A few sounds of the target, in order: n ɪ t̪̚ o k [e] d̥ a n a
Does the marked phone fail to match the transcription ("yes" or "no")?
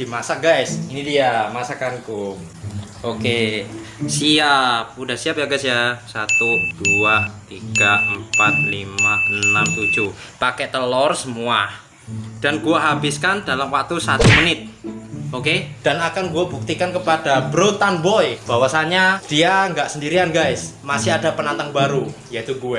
no